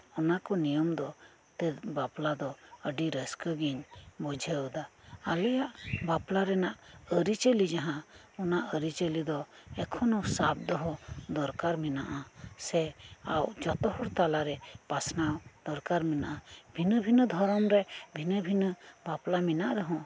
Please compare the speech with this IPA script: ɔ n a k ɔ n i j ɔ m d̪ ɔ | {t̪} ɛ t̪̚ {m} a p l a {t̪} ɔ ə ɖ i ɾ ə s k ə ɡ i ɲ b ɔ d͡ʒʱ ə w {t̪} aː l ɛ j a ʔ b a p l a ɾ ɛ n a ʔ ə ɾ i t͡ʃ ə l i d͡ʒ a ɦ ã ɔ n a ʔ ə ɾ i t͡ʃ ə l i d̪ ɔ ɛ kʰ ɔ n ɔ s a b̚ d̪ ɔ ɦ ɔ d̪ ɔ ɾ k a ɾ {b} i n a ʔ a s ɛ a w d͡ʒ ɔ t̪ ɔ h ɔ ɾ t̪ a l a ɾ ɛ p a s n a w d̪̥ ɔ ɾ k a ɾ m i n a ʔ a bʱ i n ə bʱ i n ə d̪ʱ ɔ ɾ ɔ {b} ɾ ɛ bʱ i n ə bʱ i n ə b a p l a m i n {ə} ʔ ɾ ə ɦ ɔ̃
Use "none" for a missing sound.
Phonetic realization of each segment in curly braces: t̪, b, d̪, d̪, m, m, a

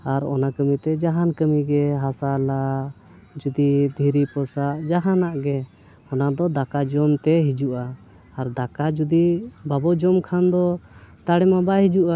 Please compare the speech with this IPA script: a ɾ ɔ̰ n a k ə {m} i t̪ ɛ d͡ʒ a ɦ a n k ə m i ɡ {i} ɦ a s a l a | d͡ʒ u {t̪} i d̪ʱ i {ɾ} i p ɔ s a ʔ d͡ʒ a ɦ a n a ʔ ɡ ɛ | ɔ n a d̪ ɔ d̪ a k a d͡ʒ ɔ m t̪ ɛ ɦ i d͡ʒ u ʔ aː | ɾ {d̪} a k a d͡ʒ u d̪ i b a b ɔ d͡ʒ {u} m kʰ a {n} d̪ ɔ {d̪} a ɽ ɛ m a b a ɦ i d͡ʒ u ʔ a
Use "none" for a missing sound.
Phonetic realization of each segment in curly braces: m, ɛ, d̪, ɾ, d̪, ɔ, n, t̪

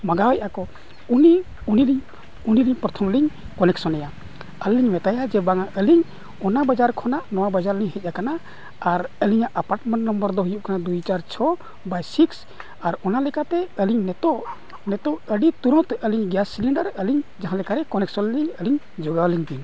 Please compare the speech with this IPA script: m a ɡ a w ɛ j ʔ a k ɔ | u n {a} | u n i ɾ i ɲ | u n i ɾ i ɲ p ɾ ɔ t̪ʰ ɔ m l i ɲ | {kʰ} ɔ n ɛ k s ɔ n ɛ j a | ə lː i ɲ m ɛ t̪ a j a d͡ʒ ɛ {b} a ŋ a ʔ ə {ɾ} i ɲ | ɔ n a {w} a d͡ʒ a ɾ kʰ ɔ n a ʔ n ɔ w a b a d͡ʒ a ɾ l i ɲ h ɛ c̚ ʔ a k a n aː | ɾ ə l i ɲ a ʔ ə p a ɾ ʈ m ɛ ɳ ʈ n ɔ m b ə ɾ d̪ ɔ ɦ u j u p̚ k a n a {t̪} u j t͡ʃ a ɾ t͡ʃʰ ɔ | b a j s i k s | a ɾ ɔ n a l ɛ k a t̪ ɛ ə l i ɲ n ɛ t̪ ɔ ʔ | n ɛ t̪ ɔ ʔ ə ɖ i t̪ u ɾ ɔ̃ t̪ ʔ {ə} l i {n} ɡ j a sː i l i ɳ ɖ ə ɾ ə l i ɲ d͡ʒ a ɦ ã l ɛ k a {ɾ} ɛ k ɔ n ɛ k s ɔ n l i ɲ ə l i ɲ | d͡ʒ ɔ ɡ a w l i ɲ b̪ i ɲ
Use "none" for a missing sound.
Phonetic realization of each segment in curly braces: i, k, b, l, b, d̪, ə, ɲ, ɾ

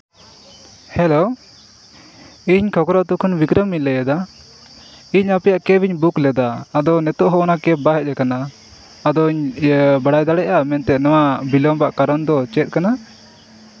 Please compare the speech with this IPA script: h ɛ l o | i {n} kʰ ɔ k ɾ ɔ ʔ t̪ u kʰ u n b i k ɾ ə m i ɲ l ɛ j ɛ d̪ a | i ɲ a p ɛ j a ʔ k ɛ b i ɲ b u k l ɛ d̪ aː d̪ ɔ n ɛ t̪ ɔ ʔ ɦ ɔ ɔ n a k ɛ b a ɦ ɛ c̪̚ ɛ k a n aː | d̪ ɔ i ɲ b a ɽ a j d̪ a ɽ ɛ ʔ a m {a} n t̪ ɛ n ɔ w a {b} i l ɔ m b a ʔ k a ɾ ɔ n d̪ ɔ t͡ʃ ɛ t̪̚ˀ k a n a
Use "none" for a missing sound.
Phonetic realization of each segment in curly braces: ɲ, ɛ, b

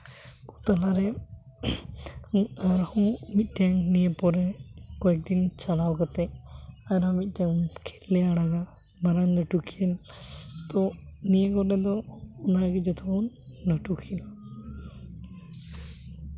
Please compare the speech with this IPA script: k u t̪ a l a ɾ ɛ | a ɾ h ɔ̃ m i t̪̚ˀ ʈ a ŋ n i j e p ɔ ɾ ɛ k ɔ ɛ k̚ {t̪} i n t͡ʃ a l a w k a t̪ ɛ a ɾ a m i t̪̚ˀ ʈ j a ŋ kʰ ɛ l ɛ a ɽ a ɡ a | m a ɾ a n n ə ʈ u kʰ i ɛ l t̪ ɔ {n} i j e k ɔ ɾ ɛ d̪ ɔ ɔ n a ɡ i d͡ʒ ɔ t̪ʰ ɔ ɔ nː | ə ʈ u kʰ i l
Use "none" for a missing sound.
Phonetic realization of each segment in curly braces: d̪, n

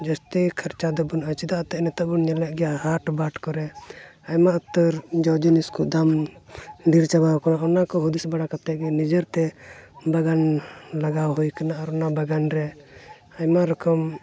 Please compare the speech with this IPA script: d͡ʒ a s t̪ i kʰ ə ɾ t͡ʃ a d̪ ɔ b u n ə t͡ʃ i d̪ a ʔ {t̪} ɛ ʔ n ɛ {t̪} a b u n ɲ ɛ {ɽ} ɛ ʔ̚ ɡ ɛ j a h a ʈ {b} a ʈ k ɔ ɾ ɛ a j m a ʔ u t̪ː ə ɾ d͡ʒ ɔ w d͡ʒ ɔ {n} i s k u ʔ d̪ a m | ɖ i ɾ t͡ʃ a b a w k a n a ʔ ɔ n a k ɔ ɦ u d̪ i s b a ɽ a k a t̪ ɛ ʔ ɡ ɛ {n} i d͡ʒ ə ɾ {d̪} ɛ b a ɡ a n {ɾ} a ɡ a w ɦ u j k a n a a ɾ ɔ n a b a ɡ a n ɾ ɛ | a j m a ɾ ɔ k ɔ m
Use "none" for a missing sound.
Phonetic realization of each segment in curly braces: t̪, t̪, l, b, n, n, t̪, l

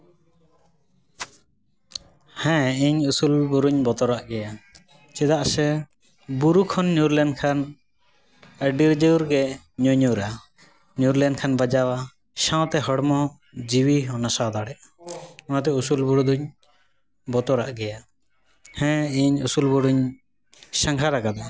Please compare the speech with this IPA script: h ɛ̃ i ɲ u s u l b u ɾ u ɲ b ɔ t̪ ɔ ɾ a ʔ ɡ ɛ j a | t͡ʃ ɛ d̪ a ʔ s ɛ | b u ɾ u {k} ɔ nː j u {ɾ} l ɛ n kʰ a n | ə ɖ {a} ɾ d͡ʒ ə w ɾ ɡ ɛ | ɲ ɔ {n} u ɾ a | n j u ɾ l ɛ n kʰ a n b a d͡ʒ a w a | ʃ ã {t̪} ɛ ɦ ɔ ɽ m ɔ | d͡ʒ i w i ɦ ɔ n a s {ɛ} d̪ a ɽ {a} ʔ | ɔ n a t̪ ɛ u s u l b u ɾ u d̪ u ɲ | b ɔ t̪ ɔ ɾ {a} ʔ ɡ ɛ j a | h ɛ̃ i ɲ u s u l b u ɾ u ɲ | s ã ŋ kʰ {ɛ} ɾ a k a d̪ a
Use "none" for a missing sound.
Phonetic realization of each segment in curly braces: kʰ, ɾ, i, ɲ, t̪, a, ɛ, a, a

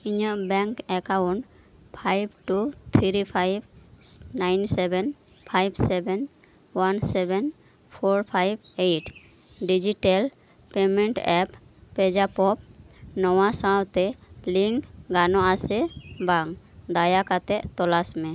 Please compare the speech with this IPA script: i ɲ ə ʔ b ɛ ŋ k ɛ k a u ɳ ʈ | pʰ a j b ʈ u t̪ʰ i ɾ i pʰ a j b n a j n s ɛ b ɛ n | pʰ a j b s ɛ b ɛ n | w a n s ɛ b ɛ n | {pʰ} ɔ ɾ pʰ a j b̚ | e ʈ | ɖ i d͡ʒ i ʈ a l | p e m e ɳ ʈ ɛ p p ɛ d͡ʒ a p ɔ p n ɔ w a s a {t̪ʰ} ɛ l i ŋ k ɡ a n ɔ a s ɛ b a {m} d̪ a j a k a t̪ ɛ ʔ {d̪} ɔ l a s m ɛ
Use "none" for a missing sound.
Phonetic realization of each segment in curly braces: pʰ, t̪, ŋ, t̪

